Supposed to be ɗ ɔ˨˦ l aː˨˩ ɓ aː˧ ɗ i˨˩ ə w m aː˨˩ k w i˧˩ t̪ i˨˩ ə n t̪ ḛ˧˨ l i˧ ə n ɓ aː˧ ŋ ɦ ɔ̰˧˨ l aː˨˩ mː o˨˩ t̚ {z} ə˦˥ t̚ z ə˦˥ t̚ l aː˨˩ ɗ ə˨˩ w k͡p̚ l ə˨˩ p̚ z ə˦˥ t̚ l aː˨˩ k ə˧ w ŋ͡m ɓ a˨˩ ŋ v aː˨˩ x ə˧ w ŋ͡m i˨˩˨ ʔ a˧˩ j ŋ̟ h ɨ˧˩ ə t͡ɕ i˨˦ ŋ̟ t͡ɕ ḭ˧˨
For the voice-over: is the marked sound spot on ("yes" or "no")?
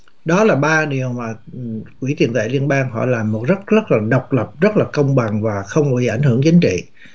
yes